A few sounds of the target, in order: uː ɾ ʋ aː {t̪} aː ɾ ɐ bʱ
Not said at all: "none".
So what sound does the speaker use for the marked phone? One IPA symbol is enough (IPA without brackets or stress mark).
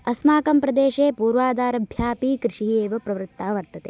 d̪